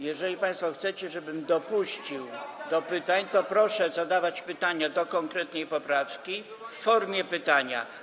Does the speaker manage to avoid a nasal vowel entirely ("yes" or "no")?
yes